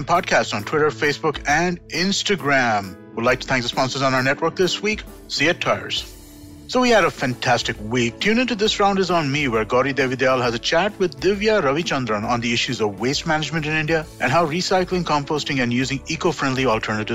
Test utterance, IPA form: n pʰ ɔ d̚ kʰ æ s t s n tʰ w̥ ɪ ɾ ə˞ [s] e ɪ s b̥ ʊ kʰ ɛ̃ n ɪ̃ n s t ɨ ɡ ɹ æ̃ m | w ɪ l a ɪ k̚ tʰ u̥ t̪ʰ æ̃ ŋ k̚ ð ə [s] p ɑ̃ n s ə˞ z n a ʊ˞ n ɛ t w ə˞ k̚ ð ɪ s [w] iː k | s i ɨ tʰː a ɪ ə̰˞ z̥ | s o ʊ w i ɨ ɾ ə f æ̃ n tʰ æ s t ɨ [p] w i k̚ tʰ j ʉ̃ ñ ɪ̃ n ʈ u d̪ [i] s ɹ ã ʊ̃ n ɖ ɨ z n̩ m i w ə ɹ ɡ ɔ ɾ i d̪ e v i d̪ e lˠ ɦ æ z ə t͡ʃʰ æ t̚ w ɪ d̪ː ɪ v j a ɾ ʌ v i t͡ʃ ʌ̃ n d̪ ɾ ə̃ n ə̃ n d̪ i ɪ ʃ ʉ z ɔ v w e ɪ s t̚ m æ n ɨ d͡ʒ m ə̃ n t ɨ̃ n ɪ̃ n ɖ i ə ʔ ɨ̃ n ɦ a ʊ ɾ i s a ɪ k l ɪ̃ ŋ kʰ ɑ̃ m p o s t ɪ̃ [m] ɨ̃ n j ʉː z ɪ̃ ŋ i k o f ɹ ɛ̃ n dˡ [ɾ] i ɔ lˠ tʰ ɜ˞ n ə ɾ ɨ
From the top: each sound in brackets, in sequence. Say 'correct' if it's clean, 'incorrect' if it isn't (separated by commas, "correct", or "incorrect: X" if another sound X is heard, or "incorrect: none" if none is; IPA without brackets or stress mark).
incorrect: f, correct, correct, incorrect: k, incorrect: ɪ, incorrect: ŋ, incorrect: l